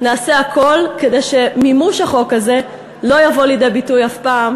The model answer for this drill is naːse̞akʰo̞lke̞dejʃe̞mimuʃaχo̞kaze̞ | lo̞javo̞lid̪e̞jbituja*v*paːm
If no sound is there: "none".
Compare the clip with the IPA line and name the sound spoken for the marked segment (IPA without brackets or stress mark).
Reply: f